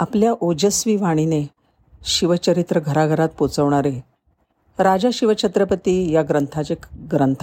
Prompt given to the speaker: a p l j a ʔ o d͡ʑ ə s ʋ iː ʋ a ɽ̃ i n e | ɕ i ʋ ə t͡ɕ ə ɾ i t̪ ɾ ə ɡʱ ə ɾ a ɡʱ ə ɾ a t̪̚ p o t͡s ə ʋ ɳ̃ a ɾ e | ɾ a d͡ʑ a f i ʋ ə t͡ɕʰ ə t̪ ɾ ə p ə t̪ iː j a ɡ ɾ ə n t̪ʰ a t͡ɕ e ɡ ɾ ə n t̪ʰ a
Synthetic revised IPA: a p l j a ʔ o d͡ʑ ə s ʋ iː ʋ a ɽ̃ i n e | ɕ i ʋ ə t͡ɕ ə ɾ i t̪ ɾ ə ɡʱ ə ɾ a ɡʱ ə ɾ a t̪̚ p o t͡s ə ʋ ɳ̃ a ɾ e | ɾ a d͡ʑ a ɕ i ʋ ə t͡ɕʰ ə t̪ ɾ ə p ə t̪ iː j a ɡ ɾ ə n t̪ʰ a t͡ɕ e ɡ ɾ ə n t̪ʰ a